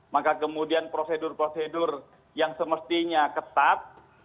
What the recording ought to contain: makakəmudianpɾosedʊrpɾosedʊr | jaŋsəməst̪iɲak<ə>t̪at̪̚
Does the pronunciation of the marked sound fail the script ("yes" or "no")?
no